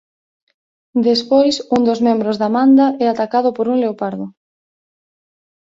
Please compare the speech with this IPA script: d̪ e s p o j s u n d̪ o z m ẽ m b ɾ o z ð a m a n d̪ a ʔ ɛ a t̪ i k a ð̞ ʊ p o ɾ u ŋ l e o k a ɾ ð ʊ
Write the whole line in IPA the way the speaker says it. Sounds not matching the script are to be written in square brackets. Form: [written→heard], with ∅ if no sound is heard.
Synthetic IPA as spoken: d̪ e s p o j s u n d̪ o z m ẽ m b ɾ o z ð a m a n d̪ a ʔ ɛ a t̪ [i→a] k a ð̞ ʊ p o ɾ u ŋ l e o [k→p] a ɾ ð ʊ